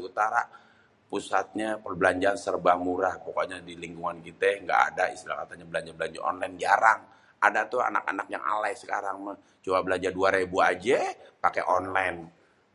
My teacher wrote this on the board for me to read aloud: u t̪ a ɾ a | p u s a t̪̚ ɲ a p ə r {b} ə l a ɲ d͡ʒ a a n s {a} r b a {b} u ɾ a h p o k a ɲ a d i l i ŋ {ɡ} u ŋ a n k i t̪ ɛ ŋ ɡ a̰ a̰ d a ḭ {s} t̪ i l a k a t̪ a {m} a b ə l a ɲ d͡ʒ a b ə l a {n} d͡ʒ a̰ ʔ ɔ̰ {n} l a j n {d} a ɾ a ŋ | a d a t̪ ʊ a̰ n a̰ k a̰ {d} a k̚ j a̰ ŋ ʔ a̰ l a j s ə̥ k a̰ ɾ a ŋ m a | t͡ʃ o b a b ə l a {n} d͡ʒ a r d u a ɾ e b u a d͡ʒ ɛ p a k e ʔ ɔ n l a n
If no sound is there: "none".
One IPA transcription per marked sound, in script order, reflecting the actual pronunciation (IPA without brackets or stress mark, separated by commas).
b, ə, m, ɡ, s, ɲ, ɲ, n, d͡ʒ, n, ɲ